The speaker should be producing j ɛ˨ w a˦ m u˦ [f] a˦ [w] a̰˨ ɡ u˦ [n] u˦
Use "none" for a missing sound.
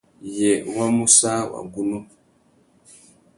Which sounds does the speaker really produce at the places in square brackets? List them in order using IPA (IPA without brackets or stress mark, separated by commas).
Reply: s, w, n